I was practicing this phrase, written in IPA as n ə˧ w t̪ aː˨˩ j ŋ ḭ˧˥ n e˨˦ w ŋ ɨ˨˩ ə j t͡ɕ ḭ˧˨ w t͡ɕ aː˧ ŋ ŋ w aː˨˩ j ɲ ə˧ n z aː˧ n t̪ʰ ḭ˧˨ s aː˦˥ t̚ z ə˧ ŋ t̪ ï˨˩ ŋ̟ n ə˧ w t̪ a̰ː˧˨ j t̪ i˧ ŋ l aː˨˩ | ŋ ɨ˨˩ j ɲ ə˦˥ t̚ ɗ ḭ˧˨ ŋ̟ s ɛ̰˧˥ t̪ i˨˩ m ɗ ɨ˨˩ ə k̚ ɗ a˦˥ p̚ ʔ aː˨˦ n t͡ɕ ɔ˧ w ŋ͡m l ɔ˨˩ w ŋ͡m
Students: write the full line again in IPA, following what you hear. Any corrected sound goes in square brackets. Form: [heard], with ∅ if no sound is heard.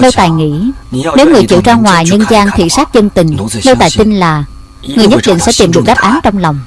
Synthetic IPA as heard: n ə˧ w t̪ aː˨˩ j ŋ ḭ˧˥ n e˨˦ w ŋ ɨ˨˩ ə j t͡ɕ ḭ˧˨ w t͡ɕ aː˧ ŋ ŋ w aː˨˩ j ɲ ə˧ n z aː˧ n t̪ʰ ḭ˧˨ s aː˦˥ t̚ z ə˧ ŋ t̪ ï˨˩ ŋ̟ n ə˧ w t̪ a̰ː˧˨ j t̪ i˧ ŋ l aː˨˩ | ŋ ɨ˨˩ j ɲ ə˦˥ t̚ ɗ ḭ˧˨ ŋ̟ s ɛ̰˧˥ t̪ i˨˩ m ɗ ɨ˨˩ ə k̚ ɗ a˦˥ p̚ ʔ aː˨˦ n t͡ɕ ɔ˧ w ŋ͡m l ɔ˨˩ w ŋ͡m